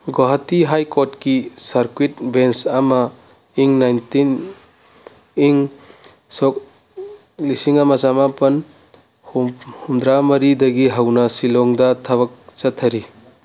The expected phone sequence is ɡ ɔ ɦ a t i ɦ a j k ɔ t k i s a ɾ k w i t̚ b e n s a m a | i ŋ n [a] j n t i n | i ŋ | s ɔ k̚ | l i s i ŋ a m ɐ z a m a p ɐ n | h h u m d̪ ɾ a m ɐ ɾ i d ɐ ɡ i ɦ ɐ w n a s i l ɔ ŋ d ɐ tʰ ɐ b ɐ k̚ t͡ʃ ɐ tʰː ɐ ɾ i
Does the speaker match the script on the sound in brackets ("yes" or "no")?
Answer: yes